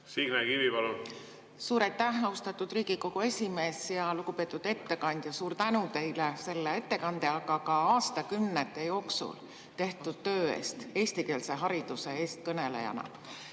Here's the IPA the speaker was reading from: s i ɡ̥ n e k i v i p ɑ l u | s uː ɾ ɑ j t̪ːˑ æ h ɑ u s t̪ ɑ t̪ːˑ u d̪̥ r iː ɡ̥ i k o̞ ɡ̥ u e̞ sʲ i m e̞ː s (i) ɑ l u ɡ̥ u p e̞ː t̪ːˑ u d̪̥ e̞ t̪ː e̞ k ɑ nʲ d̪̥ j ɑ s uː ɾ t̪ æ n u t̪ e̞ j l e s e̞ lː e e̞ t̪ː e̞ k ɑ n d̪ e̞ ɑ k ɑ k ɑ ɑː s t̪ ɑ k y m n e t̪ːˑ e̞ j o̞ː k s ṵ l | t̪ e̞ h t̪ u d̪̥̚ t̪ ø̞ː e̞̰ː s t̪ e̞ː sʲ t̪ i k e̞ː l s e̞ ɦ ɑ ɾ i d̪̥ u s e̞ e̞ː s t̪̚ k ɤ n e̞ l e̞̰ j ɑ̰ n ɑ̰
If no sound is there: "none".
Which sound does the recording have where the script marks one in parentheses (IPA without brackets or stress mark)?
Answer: j